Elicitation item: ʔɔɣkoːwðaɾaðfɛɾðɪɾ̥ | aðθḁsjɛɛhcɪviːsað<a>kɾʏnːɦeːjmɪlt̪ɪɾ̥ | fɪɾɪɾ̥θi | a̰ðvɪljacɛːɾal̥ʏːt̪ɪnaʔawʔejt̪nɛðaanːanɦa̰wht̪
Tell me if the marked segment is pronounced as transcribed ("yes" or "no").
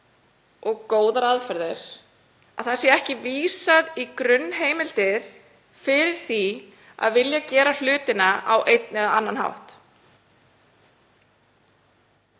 no